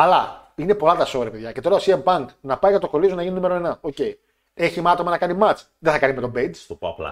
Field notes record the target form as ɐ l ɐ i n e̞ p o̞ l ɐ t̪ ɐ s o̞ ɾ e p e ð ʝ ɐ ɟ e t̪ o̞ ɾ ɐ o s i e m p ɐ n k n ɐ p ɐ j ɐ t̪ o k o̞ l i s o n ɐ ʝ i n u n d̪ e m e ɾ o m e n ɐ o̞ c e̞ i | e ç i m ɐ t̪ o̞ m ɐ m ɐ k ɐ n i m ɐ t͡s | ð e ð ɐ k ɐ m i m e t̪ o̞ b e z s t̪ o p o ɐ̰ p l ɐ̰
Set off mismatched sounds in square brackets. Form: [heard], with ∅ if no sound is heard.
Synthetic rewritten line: ɐ l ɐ i n e̞ p o̞ l ɐ t̪ ɐ s o̞ ɾ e p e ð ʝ ɐ [c] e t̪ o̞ ɾ ɐ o s i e m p ɐ [ŋ] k n ɐ p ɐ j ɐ t̪ o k o̞ l i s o n ɐ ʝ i n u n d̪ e m e ɾ o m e n ɐ o̞ c e̞ i | e ç i m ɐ t̪ o̞ m ɐ [n] ɐ k ɐ n i m ɐ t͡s | ð e [θ] ɐ k ɐ [n] i m e t̪ o̞ b e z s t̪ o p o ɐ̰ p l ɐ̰